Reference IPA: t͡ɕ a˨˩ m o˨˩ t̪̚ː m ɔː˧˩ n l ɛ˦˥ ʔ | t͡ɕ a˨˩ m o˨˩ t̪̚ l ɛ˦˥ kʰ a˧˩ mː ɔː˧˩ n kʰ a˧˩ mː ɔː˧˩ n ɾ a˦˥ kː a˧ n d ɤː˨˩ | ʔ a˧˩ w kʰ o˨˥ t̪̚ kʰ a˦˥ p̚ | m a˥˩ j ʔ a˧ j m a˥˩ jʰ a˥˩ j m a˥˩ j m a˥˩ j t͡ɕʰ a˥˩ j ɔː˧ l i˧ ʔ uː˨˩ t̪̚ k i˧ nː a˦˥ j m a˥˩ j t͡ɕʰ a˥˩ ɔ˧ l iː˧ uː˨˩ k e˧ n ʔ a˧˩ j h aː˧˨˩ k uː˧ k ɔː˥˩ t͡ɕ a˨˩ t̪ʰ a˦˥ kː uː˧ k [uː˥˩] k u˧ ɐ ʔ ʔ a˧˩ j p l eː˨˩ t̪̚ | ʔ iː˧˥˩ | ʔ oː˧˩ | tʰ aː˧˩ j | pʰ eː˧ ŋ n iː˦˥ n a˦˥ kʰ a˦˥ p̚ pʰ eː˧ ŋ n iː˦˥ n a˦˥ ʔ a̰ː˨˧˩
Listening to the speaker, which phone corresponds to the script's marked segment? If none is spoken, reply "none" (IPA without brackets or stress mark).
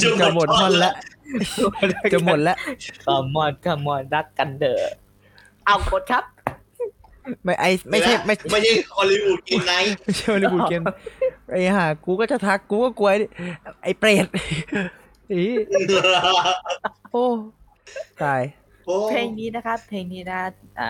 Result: ɔː˥˩